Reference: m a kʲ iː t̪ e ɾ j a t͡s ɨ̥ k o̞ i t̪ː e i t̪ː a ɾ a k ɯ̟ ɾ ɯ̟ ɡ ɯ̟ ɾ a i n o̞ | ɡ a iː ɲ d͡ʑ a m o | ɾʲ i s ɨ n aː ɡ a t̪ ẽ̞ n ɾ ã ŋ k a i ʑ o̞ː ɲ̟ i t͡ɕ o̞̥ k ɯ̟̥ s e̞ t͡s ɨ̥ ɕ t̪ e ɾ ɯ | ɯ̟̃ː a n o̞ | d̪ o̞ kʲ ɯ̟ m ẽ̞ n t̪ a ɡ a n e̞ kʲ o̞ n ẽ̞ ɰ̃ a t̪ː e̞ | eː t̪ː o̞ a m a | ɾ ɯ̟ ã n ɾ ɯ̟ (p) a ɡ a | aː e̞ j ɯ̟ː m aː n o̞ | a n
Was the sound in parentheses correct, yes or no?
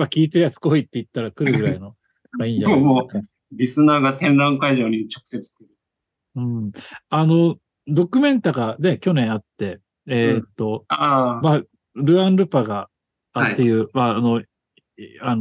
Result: yes